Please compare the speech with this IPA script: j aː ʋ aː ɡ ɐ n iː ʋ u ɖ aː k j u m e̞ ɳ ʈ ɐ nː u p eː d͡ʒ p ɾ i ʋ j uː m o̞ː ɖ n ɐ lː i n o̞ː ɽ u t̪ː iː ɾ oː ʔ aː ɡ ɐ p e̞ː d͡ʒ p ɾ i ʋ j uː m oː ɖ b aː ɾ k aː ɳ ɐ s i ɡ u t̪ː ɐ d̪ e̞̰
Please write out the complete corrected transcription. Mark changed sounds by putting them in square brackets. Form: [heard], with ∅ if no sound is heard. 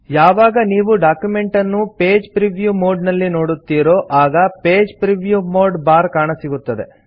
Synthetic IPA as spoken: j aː ʋ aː ɡ ɐ n iː ʋ u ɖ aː k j u m e̞ ɳ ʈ ɐ nː u p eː d͡ʒ p ɾ i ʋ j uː m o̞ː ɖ n ɐ lː i n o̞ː ɽ u t̪ː iː ɾ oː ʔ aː ɡ ɐ p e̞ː d͡ʒ p ɾ i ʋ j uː m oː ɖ b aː ɾ k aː ɳ ɐ s i ɡ u t̪ː ɐ d̪ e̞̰